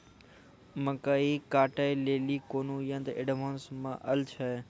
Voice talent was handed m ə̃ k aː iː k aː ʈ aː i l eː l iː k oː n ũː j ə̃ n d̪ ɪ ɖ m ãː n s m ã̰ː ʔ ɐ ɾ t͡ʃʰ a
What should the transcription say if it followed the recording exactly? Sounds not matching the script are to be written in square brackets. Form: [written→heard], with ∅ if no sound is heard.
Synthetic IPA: m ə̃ k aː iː k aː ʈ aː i l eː l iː k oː n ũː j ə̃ n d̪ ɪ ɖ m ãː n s m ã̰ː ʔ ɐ [ɾ→l] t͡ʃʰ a